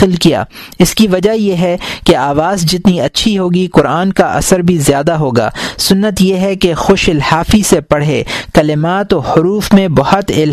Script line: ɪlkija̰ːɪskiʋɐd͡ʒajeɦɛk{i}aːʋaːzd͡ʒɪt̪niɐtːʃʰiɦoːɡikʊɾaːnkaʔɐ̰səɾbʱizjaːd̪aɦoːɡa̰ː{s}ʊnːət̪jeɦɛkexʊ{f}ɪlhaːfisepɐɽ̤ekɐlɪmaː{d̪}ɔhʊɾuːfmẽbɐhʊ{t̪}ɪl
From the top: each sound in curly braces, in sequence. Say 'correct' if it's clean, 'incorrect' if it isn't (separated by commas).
incorrect, correct, incorrect, incorrect, correct